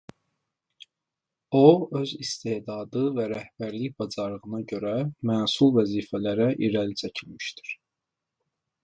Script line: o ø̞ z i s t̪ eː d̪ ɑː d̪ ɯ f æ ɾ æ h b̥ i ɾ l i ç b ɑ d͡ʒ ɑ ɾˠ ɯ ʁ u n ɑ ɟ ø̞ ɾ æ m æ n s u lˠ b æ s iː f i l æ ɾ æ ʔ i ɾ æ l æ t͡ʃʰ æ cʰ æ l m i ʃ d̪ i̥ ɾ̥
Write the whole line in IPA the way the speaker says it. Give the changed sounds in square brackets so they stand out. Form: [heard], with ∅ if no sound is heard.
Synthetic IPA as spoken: o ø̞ z i s t̪ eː d̪ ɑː d̪ ɯ [v] æ ɾ æ h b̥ [æ] ɾ l i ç b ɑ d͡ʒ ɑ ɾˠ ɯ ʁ [ɯ] n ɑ ɟ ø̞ ɾ æ m æ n s u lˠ [v] æ [z] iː f [æ] l æ ɾ æ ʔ i ɾ æ l [i] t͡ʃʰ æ cʰ [i] l m i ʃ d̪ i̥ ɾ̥